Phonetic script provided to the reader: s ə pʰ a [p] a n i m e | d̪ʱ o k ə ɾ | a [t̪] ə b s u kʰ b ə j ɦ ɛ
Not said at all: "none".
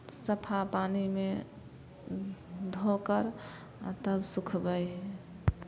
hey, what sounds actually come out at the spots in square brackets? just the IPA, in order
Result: p, t̪

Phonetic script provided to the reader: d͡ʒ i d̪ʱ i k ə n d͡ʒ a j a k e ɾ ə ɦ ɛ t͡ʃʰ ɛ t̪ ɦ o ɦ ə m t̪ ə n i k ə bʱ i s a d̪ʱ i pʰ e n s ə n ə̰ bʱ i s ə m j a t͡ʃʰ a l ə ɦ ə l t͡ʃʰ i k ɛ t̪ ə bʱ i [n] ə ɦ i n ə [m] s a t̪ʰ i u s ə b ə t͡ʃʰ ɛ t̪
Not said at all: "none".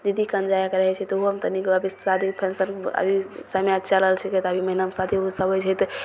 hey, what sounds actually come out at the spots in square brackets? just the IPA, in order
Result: m, m

